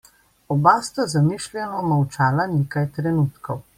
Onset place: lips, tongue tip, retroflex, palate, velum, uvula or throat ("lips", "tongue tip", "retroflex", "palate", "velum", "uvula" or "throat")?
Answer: lips